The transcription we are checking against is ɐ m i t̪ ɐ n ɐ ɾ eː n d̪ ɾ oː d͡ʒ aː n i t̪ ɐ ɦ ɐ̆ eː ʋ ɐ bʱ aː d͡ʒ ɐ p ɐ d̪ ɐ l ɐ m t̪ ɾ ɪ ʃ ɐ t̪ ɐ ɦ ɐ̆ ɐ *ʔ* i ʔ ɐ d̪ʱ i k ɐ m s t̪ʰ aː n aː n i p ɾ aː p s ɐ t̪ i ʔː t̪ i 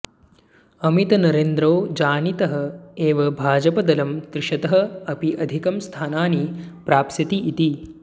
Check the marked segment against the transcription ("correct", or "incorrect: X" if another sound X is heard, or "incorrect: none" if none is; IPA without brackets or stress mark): incorrect: p